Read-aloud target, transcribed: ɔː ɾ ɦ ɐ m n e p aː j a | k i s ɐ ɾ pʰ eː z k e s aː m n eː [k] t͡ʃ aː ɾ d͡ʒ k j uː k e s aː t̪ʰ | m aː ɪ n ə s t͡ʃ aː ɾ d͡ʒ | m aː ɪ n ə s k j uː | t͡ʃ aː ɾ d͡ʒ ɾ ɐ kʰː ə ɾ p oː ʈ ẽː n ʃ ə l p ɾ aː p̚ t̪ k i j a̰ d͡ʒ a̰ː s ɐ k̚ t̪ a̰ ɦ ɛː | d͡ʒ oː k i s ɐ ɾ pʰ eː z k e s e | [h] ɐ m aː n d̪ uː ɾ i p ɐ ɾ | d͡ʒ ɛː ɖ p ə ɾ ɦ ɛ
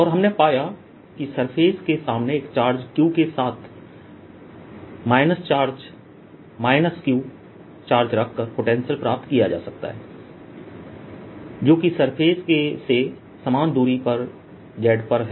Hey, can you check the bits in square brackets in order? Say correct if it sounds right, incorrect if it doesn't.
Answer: correct, incorrect: s

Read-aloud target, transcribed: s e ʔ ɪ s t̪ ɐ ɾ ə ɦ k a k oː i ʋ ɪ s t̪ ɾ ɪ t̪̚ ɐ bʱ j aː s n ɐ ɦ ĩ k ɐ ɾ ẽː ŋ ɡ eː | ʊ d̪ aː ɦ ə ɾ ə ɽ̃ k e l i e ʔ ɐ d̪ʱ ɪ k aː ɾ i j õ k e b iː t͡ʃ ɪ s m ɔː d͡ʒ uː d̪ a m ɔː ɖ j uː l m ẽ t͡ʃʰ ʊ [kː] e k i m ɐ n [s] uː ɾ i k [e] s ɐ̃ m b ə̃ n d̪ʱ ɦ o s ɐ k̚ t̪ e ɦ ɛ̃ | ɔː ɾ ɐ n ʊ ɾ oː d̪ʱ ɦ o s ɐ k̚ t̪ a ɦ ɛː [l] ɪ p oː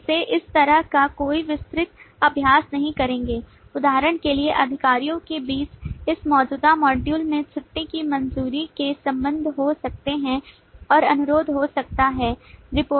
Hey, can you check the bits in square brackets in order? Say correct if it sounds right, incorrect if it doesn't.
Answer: incorrect: ʈː, incorrect: z, correct, incorrect: ɾ

